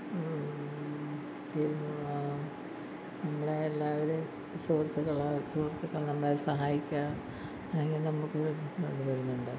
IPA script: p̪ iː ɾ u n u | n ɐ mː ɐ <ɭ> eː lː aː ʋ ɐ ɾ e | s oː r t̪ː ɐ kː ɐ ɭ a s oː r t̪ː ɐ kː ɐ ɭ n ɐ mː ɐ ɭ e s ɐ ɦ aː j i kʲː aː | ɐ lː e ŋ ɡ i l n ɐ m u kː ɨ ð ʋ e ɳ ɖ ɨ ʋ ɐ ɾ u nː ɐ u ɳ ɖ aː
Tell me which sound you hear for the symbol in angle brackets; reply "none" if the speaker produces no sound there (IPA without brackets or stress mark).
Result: ɭ